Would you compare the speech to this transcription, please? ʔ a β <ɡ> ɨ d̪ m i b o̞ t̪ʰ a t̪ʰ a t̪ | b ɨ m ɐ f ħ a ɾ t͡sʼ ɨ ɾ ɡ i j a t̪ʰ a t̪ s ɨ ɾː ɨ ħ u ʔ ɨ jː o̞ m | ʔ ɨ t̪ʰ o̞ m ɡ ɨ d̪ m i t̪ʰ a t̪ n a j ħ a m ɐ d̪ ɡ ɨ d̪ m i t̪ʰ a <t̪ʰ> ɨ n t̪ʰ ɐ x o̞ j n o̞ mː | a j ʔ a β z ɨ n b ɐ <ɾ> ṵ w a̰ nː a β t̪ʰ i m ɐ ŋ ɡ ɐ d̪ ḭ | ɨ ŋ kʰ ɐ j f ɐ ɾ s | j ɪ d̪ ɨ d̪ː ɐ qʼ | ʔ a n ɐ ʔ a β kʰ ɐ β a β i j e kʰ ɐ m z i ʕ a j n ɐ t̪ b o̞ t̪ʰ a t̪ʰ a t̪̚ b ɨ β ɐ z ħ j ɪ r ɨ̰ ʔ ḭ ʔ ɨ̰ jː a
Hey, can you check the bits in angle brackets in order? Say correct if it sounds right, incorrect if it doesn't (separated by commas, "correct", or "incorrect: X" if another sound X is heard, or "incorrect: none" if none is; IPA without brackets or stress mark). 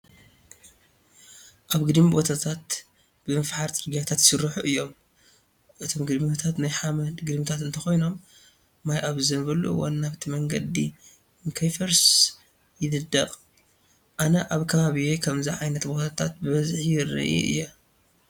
correct, incorrect: t̪, incorrect: l